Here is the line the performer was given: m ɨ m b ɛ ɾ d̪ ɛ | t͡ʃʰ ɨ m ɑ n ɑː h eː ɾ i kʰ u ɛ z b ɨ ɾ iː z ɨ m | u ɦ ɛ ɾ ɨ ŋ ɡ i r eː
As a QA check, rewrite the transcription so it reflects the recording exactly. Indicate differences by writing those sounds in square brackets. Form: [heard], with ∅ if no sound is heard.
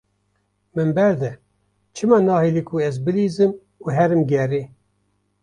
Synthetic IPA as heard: m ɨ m b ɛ ɾ d̪ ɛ | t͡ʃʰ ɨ m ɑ n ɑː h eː [l] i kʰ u ɛ z b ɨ [l] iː z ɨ m | u ɦ ɛ ɾ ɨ [m] ɡ [ɛ] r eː